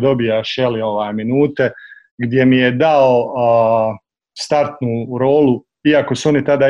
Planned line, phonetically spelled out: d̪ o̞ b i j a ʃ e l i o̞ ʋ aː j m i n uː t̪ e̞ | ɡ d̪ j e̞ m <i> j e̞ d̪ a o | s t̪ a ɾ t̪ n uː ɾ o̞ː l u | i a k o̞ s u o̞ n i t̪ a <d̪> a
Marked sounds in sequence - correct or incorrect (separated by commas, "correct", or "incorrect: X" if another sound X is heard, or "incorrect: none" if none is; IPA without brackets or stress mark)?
correct, correct